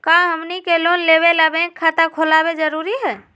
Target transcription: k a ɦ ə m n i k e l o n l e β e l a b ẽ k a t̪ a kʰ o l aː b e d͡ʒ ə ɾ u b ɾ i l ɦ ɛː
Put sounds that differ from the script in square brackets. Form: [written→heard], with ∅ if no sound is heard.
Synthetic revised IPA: k a ɦ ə m n i k e l o n l e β e l a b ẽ [k→kʰ] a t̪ a kʰ o l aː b e d͡ʒ ə ɾ u [b→∅] ɾ i [l→∅] ɦ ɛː

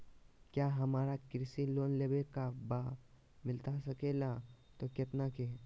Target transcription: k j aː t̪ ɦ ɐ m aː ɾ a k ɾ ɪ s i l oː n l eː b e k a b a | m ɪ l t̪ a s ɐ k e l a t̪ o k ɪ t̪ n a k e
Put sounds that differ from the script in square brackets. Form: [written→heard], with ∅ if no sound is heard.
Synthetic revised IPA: k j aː [t̪→∅] ɦ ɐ m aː ɾ a k ɾ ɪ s i l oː n l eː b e k a b a | m ɪ l t̪ a s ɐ k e l a t̪ o k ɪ t̪ n a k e

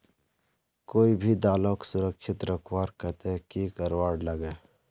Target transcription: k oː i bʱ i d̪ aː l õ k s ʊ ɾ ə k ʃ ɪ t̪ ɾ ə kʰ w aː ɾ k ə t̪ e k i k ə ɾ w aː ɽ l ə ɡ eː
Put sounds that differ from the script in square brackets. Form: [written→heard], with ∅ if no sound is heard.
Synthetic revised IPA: k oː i bʱ i d̪ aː l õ k s ʊ ɾ ə k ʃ ɪ t̪ ɾ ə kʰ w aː ɾ k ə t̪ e k i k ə ɾ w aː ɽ l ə ɡ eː

